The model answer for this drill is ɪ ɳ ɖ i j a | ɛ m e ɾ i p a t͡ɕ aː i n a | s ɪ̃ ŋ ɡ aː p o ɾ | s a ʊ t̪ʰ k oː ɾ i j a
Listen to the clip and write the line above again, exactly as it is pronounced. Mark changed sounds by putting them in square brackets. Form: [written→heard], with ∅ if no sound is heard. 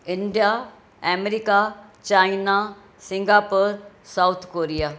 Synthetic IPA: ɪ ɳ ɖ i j a | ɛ m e ɾ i [p→k] a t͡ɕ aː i n a | s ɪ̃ ŋ ɡ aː p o ɾ | s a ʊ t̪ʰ k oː ɾ i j a